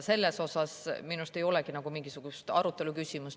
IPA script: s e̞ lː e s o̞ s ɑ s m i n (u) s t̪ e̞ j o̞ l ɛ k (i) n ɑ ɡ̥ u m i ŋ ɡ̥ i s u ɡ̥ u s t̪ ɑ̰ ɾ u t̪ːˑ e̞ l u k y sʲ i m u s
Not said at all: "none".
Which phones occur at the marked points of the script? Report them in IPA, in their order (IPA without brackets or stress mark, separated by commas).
u, i